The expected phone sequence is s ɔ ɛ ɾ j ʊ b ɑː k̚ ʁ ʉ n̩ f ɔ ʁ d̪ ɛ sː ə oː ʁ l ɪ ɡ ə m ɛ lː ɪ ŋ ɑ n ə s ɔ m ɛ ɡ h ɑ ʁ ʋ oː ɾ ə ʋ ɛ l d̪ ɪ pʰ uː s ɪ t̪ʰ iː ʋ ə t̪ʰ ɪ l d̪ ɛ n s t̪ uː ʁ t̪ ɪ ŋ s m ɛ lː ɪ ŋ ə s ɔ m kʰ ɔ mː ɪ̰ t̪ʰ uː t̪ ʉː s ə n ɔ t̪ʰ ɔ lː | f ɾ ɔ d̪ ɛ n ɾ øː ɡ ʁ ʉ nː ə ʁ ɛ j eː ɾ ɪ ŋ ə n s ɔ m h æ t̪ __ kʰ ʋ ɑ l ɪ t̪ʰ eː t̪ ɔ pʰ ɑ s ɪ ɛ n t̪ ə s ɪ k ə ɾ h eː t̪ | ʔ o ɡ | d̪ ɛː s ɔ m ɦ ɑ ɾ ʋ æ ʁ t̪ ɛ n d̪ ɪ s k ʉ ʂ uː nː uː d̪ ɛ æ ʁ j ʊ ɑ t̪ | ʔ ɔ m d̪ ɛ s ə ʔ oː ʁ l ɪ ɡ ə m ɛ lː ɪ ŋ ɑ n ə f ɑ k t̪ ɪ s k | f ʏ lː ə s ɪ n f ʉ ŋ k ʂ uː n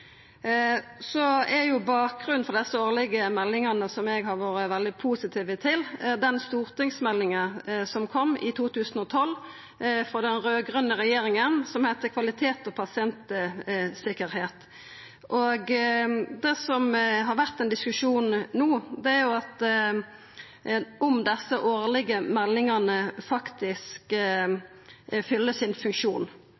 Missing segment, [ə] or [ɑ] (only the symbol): ə